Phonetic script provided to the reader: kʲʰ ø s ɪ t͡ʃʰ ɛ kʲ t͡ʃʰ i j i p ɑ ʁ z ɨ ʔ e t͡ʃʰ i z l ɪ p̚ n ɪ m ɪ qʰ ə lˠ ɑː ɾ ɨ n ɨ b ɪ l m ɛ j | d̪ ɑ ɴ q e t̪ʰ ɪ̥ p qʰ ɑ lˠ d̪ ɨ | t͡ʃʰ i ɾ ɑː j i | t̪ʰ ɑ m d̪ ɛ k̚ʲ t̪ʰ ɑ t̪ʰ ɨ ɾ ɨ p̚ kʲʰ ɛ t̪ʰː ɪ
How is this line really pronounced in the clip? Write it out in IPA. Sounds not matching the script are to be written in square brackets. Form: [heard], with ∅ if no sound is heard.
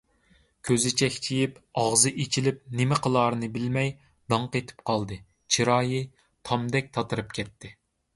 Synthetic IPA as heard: kʲʰ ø [z] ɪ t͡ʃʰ ɛ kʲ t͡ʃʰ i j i p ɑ ʁ z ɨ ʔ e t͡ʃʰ i [∅] l ɪ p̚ n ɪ m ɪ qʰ ə lˠ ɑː ɾ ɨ n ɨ b ɪ l m ɛ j | d̪ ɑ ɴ q e t̪ʰ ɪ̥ p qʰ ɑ lˠ d̪ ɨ | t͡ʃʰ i ɾ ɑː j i | t̪ʰ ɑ m d̪ ɛ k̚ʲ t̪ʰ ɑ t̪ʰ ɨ ɾ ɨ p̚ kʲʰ ɛ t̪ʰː ɪ